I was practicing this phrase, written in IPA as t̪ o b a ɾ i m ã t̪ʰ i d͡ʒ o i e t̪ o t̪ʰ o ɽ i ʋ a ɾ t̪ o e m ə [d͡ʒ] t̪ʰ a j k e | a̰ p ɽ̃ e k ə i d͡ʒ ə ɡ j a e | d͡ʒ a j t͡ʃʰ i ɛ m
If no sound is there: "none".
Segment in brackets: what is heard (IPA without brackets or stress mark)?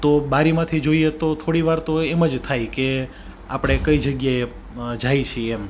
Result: d͡ʒ